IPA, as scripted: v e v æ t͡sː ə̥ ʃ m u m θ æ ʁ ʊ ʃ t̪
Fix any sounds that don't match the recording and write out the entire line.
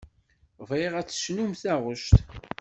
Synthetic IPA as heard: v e ʁ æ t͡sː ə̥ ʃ n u m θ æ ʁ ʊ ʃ t̪